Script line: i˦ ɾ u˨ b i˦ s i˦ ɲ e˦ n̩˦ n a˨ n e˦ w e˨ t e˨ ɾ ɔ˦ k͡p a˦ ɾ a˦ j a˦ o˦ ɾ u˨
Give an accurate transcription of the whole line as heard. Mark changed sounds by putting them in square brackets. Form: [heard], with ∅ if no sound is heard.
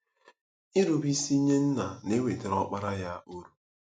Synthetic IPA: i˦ ɾ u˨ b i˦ s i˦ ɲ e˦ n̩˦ n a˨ n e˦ w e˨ t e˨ ɾ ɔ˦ k͡p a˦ ɾ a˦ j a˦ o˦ ɾ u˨